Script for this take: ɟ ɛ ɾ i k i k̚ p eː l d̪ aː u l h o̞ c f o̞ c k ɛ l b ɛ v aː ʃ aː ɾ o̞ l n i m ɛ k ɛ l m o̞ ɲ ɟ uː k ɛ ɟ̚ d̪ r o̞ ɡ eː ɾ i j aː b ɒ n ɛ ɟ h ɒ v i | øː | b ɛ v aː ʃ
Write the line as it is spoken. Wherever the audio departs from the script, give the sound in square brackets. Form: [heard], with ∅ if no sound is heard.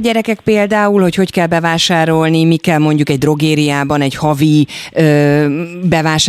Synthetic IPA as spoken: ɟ ɛ ɾ [ɛ] k [ɛ] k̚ p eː l d̪ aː u l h o̞ c [h] o̞ c k ɛ l b ɛ v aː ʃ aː ɾ o̞ l n i m [i] k ɛ l m o̞ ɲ ɟ [u] k ɛ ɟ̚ d̪ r o̞ ɡ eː ɾ i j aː b ɒ n ɛ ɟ h ɒ v i | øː | b ɛ v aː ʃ